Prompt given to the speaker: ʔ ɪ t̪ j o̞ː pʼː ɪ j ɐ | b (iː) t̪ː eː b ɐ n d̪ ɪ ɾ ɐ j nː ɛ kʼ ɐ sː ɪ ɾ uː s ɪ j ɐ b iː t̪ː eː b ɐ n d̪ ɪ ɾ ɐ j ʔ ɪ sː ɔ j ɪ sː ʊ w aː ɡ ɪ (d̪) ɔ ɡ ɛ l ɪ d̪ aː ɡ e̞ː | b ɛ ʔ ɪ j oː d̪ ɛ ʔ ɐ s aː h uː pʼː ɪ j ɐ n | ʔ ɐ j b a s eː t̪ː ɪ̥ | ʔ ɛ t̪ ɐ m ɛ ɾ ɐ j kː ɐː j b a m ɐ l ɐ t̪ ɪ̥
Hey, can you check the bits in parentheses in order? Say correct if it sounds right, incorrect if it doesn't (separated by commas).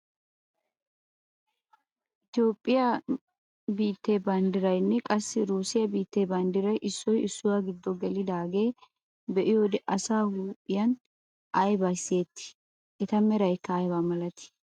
correct, incorrect